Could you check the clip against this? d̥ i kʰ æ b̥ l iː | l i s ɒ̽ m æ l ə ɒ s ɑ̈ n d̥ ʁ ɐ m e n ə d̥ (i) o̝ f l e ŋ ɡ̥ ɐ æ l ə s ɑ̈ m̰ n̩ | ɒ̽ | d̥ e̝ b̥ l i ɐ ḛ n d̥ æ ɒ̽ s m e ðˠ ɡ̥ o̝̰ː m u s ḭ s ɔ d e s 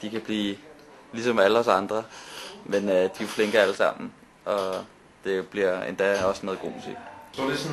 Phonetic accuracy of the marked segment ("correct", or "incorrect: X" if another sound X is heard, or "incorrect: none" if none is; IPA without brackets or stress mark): correct